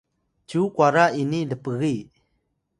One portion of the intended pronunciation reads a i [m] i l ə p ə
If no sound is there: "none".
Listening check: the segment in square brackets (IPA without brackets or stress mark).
n